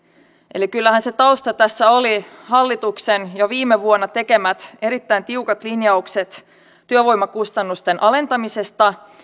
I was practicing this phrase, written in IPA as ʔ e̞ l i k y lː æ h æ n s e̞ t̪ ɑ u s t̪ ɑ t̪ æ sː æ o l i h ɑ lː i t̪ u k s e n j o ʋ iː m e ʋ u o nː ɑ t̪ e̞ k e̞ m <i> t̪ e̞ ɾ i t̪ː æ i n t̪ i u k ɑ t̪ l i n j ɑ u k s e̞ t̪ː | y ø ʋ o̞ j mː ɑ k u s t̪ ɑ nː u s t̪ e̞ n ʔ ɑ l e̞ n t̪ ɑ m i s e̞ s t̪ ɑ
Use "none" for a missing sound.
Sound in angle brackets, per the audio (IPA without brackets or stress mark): æ